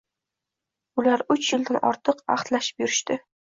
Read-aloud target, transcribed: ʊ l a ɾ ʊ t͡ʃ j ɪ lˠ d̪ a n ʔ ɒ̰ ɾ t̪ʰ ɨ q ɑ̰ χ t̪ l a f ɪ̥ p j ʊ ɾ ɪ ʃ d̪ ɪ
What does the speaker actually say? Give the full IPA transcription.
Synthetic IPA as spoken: ʊ l a ɾ ʊ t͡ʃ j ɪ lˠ d̪ a n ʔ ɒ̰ ɾ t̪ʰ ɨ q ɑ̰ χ t̪ l a ʃ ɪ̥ p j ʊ ɾ ɪ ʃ t̪ ɪ